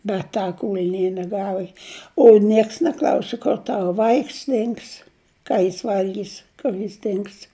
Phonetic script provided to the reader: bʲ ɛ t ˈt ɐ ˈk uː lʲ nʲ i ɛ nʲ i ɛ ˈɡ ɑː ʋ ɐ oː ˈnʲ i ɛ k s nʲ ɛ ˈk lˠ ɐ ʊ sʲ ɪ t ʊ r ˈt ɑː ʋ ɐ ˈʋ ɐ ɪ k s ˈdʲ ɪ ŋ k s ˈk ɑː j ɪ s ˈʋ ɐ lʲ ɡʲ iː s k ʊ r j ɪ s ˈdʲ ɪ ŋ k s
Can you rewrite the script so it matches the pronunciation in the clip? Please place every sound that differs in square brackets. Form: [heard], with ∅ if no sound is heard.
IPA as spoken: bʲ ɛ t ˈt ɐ ˈk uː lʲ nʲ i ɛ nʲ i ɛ ˈɡ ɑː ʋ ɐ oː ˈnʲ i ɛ k s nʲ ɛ ˈk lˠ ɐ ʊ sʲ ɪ [k] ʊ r ˈt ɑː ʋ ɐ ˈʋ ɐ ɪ k s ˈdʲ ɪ ŋ k s ˈk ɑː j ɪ s ˈʋ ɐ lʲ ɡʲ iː s k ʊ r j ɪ s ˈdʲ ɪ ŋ k s